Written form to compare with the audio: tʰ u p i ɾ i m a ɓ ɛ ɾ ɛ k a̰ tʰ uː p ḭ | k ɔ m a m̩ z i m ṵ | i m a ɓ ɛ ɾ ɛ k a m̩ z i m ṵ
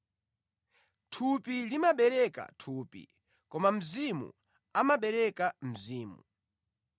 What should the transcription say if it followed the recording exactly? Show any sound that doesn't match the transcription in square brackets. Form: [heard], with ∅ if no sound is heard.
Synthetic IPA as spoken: tʰ u p i [l] i m a ɓ ɛ ɾ ɛ k a̰ tʰ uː p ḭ | k ɔ m a m̩ z i m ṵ | [a] m a ɓ ɛ ɾ ɛ k a m̩ z [iː] m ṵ